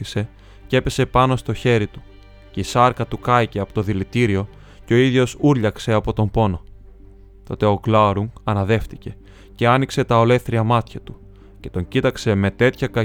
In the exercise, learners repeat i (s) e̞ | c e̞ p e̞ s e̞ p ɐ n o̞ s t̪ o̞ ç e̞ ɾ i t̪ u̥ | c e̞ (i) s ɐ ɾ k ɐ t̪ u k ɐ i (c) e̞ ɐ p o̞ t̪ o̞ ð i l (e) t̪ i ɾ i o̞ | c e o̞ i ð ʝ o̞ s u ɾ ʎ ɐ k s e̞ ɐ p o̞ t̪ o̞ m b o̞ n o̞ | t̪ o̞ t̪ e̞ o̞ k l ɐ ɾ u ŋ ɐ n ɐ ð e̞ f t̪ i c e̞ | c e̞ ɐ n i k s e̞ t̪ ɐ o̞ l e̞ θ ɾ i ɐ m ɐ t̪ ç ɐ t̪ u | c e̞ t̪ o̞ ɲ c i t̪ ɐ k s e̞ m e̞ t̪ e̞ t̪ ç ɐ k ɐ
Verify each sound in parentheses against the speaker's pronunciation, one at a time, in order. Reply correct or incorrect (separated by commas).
correct, correct, correct, incorrect